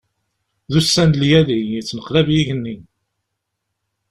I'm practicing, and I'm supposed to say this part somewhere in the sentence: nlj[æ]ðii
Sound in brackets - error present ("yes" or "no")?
no